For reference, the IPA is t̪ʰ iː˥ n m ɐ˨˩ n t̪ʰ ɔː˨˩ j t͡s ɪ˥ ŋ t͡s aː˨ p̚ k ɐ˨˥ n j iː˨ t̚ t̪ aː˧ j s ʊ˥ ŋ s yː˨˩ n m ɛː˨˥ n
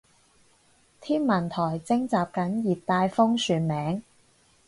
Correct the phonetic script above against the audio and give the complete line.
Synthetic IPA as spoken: t̪ʰ iː˥ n m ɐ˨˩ n t̪ʰ ɔː˨˩ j t͡s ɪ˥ ŋ t͡s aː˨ p̚ k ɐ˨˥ n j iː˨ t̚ t̪ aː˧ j f ʊ˥ ŋ s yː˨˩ n m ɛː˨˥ ŋ

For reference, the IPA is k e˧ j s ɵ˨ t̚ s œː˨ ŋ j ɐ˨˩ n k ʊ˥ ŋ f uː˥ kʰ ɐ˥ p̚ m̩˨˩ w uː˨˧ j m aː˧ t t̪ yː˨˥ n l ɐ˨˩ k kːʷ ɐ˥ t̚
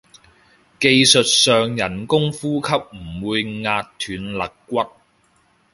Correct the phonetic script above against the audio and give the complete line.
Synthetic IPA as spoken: k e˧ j s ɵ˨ t̚ s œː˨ ŋ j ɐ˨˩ n k ʊ˥ ŋ f uː˥ kʰ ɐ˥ p̚ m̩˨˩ w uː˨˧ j ŋ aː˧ t t̪ʰ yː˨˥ n l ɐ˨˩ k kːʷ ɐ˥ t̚

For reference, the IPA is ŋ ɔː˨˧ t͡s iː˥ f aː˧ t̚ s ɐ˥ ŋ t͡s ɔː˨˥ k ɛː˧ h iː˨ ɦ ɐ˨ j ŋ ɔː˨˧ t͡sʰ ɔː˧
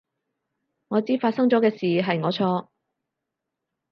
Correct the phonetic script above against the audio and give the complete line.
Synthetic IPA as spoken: ŋ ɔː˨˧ t͡s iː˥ f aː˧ t̚ s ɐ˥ ŋ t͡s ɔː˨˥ k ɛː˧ s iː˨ ɦ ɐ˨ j ŋ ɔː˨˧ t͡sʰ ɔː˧

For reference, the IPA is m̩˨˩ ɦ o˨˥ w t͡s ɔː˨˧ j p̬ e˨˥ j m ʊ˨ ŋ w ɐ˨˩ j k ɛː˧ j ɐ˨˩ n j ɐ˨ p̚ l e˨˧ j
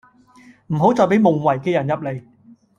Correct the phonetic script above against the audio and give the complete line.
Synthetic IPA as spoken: m̩˨˩ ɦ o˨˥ w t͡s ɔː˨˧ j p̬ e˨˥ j m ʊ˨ ŋ w ɐ˨˩ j k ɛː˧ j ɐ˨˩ n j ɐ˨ p̚ l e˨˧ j

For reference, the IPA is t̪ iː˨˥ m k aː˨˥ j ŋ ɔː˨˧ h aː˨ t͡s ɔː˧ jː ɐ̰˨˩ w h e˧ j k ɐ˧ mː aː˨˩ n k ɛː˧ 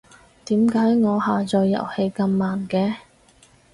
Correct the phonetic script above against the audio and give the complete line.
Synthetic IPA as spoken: t̪ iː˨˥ m k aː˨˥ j ŋ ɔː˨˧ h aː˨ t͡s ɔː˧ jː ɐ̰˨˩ w h e˧ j k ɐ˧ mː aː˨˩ n k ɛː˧

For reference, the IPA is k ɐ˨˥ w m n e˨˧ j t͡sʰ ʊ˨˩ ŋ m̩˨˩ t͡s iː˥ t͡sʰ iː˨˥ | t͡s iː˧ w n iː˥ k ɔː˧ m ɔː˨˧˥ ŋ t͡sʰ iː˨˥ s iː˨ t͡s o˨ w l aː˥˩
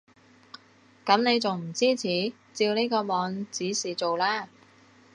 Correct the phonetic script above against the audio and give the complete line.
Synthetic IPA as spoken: k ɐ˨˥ m n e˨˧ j t͡s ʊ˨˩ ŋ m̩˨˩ t͡s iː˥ t͡sʰ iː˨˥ | t͡s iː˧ w n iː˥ k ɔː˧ m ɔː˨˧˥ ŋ t͡s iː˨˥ s iː˨ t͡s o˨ w l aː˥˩

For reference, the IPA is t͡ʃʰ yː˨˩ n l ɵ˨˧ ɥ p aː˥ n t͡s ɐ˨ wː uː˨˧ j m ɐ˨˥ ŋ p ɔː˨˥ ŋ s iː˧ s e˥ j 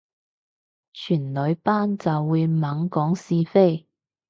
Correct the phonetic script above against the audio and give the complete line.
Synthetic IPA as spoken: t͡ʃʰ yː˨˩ n l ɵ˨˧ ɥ p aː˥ n t͡s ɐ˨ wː uː˨˧ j m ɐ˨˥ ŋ k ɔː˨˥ ŋ s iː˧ f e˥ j

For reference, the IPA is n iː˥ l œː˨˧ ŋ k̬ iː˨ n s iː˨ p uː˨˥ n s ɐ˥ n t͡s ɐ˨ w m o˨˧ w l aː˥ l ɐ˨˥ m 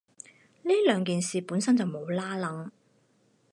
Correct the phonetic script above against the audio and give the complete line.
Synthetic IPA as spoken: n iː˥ l œː˨˧ ŋ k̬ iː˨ n s iː˨ p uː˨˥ n s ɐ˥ n t͡s ɐ˨ w m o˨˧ w l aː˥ l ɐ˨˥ ŋ

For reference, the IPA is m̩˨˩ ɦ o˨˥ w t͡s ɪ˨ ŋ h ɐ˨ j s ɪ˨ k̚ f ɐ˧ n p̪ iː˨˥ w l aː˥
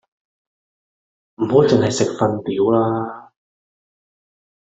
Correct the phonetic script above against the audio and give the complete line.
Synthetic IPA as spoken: m̩˨˩ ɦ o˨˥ w t͡s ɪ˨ ŋ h ɐ˨ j s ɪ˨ k̚ f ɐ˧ n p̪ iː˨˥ w l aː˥

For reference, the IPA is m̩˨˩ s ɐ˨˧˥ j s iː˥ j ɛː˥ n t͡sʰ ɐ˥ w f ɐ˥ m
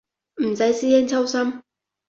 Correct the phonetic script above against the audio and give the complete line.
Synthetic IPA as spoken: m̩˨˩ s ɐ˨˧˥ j s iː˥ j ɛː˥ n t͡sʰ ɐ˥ w s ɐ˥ m

